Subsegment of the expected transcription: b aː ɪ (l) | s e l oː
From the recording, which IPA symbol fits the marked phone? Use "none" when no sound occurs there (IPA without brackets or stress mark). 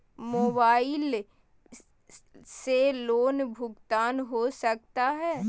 l